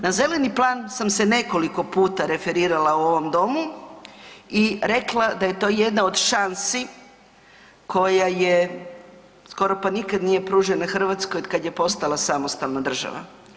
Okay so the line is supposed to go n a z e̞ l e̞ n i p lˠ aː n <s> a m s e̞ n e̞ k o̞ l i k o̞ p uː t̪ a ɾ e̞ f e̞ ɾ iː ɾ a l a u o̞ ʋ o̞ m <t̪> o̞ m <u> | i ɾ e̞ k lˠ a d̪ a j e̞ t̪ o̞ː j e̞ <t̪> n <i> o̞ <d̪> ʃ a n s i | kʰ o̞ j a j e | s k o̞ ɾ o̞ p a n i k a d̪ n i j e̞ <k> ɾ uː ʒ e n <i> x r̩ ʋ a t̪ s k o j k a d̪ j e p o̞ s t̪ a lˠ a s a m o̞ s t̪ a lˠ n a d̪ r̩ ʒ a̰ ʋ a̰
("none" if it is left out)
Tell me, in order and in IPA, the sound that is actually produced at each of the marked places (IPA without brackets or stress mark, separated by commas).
s, d̪, u, d̪, a, d̪, p, a